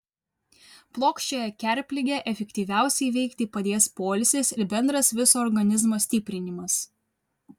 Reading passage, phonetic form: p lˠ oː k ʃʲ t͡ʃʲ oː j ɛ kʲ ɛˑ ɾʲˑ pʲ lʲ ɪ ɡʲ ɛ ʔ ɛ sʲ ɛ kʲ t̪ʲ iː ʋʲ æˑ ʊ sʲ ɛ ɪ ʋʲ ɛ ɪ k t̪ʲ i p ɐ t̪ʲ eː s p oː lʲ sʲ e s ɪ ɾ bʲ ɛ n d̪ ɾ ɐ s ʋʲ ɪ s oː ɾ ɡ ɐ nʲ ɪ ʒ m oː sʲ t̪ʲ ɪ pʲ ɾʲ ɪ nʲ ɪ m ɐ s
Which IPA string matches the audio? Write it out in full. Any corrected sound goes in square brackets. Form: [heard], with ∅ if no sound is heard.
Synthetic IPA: p lˠ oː k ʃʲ t͡ʃʲ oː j ɛ kʲ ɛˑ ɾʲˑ pʲ lʲ ɪ ɡʲ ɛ ʔ ɛ [fʲ] ɛ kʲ t̪ʲ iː ʋʲ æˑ ʊ sʲ ɛ ɪ ʋʲ ɛ ɪ k t̪ʲ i p ɐ [d̪ʲ] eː s p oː lʲ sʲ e s ɪ ɾ bʲ ɛ n d̪ ɾ ɐ s ʋʲ ɪ s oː ɾ ɡ ɐ nʲ ɪ [z] m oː sʲ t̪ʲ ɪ pʲ ɾʲ ɪ nʲ ɪ m ɐ s